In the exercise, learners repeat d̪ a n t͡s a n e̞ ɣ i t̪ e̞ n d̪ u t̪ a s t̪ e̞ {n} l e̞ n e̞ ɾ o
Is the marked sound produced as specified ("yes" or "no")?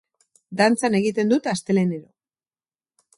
no